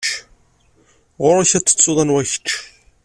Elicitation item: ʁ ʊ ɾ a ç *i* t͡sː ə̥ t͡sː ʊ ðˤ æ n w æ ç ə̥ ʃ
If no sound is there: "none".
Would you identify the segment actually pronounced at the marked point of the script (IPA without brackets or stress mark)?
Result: æ